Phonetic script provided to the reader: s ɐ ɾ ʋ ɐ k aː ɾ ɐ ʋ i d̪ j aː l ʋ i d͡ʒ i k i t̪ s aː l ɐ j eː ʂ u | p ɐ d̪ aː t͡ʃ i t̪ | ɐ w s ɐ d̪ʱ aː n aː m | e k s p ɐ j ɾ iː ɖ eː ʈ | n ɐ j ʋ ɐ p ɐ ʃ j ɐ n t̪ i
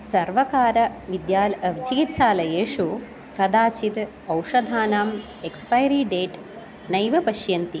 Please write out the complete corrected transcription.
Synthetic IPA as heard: s ɐ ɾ ʋ ɐ k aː ɾ ɐ ʋ i d̪ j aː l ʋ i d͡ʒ i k i t̪ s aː l ɐ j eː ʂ u | k ɐ d̪ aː t͡ʃ i t̪ | ɐ w ʂ ɐ d̪ʱ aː n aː m | e k s p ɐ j ɾ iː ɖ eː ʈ | n ɐ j ʋ ɐ p ɐ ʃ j ɐ n t̪ i